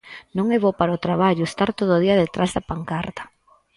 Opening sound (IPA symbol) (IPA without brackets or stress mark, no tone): n